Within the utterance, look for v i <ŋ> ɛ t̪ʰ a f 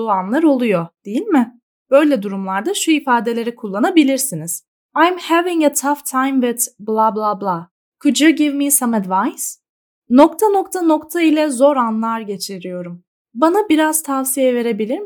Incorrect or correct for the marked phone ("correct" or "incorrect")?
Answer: correct